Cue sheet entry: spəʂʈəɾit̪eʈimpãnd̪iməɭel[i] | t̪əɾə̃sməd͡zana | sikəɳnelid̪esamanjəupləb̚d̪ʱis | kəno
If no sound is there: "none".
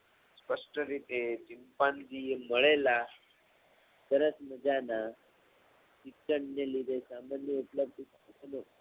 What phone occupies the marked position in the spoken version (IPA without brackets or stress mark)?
a